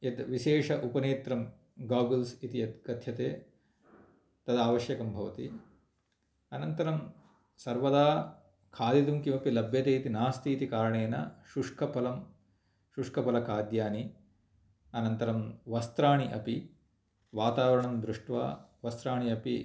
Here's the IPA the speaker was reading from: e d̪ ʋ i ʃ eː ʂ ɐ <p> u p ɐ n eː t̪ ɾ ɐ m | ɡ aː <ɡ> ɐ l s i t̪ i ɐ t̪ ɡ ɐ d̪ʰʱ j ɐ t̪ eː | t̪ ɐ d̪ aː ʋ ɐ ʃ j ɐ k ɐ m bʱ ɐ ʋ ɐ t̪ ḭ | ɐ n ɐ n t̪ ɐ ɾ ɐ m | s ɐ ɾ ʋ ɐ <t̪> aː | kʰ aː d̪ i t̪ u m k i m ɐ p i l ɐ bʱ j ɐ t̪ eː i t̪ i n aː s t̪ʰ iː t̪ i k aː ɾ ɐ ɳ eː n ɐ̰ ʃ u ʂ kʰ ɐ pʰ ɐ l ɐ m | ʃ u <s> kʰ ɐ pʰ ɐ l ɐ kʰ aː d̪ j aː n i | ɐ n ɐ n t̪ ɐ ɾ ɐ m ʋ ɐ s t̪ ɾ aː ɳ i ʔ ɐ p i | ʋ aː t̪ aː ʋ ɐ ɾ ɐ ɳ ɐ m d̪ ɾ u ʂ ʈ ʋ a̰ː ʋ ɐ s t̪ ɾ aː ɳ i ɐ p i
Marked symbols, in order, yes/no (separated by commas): no, yes, no, no